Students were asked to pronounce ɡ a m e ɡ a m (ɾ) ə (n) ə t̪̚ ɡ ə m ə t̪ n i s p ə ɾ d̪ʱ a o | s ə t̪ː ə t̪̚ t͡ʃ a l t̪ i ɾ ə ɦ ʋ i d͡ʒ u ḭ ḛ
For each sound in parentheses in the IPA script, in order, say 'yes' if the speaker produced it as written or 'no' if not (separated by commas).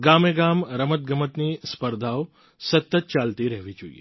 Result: yes, no